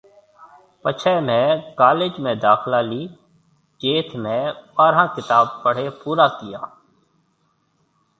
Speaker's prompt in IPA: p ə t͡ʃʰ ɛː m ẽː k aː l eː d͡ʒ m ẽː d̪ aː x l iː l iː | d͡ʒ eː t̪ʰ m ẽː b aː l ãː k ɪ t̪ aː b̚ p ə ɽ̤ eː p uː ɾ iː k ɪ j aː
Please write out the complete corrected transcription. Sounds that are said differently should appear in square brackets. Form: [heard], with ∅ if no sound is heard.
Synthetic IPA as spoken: p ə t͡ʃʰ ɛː m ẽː k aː l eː d͡ʒ m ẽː d̪ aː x l [aː] l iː | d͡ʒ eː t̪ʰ m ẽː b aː [ɾ] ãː k ɪ t̪ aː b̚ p ə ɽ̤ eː p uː ɾ [aː] k ɪ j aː